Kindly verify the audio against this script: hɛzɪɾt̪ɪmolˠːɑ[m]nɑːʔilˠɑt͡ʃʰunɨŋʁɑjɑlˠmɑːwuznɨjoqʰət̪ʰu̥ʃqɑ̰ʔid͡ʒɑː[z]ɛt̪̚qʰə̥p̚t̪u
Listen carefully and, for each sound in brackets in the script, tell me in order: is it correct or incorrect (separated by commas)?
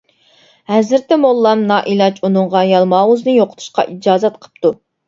correct, correct